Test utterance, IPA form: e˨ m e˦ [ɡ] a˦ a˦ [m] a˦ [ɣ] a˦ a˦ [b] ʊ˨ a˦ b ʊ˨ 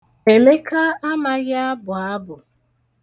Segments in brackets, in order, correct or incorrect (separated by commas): incorrect, correct, correct, correct